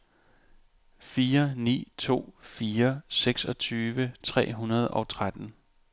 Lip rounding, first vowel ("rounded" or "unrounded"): unrounded